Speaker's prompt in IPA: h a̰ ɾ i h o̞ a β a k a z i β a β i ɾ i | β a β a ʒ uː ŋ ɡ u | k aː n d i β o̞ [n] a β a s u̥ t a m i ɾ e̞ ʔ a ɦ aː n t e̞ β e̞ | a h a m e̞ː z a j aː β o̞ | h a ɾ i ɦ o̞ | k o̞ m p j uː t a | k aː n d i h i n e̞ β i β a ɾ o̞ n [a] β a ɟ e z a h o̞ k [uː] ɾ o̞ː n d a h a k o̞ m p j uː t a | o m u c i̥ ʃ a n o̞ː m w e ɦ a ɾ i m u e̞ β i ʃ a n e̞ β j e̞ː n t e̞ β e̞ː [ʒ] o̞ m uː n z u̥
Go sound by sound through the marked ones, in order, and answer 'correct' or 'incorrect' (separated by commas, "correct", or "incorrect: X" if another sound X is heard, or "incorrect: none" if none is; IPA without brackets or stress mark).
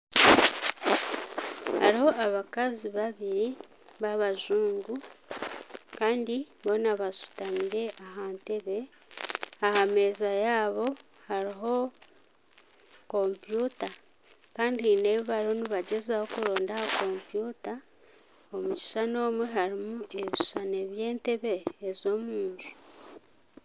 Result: correct, incorrect: i, incorrect: u, incorrect: z